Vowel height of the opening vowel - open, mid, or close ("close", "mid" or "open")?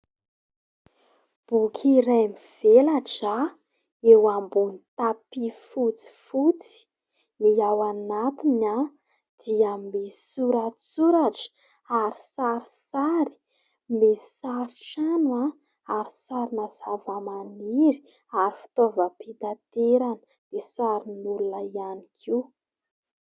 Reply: close